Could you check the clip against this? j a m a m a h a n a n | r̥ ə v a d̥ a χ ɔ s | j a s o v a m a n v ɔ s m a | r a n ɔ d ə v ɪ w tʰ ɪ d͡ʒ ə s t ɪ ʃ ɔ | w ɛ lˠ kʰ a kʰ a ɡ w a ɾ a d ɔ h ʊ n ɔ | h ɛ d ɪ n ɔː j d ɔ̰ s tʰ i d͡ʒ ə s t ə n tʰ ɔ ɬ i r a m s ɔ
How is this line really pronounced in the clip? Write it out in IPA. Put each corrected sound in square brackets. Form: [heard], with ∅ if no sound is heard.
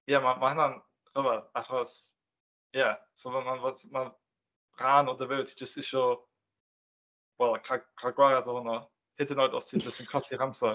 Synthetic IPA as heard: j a m a m a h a n a n | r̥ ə v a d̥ a χ ɔ s | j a s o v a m a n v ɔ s m a | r a n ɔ d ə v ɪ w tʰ [i] d͡ʒ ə s t ɪ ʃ ɔ | w ɛ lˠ kʰ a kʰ a ɡ w a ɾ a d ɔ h ʊ n ɔ | h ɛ d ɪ n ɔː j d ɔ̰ s tʰ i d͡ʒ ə s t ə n [kʰ] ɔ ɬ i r a m s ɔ

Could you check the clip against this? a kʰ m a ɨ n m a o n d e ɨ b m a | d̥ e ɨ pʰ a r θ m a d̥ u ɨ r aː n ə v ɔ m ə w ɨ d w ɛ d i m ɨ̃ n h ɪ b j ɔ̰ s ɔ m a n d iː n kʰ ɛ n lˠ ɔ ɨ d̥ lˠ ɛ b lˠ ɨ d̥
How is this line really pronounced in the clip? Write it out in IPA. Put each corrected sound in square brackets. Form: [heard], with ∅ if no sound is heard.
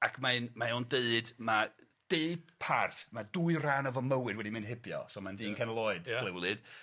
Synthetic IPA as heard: a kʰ m a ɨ n m a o n d e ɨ [d] m a | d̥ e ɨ pʰ a r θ m a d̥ u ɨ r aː n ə v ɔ m ə w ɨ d w ɛ d i m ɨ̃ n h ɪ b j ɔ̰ s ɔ m a n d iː n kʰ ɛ n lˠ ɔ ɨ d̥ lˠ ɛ [w] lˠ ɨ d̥

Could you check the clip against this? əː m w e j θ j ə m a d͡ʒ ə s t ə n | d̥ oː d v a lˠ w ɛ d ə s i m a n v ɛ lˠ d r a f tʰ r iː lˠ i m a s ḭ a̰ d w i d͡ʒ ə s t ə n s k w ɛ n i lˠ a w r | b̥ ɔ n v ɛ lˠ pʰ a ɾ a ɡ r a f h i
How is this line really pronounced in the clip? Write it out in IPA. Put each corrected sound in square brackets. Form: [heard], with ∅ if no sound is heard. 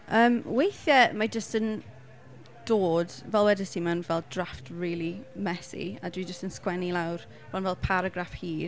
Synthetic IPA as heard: əː m w e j θ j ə m a d͡ʒ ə s t ə n | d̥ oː d v [ɛ] lˠ w ɛ d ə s i m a n v ɛ lˠ d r a f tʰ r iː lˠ i m [ɛ] s ḭ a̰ d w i d͡ʒ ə s t ə n s k w ɛ n i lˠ a w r | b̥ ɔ n v ɛ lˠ pʰ a ɾ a ɡ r a f h [iː]

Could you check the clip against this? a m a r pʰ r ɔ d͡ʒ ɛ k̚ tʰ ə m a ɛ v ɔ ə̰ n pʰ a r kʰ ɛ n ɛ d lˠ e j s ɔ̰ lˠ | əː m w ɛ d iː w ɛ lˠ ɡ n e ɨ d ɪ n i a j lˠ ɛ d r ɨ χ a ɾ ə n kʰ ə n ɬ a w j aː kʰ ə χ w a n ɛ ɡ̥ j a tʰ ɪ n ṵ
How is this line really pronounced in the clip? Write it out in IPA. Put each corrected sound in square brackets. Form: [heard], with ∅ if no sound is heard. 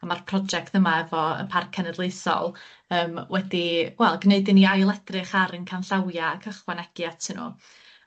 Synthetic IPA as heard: a m a r pʰ r ɔ d͡ʒ ɛ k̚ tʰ ə m a ɛ v ɔ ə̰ n pʰ a r kʰ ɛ n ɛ d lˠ e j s ɔ̰ lˠ | əː m w ɛ d [i] w ɛ lˠ ɡ n e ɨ d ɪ n i a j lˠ ɛ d r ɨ χ a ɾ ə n kʰ [a] n ɬ a w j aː kʰ ə χ w a n ɛ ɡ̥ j a tʰ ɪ n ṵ

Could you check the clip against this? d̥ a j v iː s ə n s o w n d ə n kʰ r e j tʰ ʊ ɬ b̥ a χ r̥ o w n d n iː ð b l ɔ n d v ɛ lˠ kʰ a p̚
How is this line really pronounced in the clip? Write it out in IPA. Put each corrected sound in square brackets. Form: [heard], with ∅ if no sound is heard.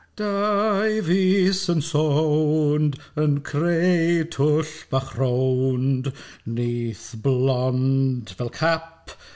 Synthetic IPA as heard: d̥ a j v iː s ə n s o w n d ə n kʰ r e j tʰ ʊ ɬ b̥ a χ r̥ o w n d n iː [θ] b l ɔ n d v ɛ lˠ kʰ a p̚

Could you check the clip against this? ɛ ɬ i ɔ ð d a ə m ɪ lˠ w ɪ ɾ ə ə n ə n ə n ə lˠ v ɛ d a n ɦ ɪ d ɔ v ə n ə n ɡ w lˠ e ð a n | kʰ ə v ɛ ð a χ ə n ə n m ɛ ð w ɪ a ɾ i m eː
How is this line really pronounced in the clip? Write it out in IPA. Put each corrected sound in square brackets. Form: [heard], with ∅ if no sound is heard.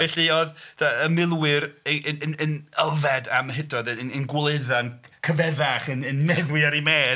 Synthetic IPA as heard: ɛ ɬ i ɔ ð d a ə m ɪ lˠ w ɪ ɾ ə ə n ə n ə n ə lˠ v ɛ d a [m] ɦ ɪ d ɔ [ð] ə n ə n ɡ w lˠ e ð a n | kʰ ə v ɛ ð a χ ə n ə n m ɛ ð w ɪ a ɾ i m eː

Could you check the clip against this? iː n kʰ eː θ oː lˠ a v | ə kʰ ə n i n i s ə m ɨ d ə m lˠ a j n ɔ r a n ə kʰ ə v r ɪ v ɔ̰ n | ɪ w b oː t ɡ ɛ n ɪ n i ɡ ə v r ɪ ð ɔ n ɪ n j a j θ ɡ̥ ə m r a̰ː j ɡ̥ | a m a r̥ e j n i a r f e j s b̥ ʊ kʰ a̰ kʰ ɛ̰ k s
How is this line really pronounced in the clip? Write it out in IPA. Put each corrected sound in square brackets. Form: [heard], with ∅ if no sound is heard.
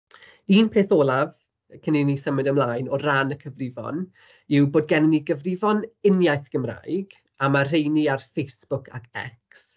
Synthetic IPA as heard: iː n [pʰ] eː θ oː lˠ a v | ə kʰ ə n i n i s ə m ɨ d ə m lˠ a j n ɔ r a n ə kʰ ə v r ɪ v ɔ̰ n | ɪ w b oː [d] ɡ ɛ n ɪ n i ɡ ə v r ɪ [v] ɔ n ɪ n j a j θ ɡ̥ ə m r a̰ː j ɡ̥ | a m a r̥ e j n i a r f e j s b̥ ʊ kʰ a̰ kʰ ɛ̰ k s

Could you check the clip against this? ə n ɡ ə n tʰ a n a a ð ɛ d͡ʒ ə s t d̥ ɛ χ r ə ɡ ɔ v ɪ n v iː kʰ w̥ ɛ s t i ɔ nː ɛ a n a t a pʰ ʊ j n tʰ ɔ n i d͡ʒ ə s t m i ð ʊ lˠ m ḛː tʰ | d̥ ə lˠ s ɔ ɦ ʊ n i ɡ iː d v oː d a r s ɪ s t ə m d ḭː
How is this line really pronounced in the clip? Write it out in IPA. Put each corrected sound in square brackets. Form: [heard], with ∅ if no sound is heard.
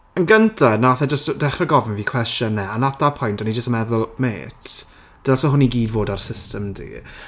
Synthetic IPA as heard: ə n ɡ ə n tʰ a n a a [θ] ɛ d͡ʒ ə s t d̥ ɛ χ r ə ɡ ɔ v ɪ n v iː kʰ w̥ ɛ s t [j] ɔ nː ɛ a n a t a pʰ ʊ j n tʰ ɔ n i d͡ʒ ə s t m [ɛ] ð ʊ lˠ m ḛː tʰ | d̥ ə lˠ s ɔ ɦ ʊ n i ɡ iː d v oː d a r s ɪ s t ə m d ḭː

